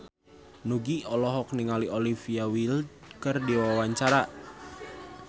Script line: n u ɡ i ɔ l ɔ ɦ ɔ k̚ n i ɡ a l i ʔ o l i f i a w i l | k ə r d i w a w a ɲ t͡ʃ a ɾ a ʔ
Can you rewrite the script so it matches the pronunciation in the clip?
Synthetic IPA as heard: n u ɡ i ɔ l ɔ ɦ ɔ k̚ n i ŋ a l i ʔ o l i f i a w i l | k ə r d i w a w a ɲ t͡ʃ a ɾ a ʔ